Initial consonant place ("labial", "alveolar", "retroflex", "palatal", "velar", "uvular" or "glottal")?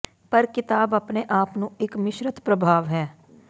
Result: labial